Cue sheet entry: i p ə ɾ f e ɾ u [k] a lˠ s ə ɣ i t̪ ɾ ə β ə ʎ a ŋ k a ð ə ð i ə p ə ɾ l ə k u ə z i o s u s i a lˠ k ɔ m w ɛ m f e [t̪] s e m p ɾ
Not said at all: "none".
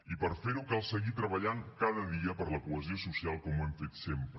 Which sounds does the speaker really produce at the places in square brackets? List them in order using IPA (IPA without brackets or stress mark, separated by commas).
k, t̪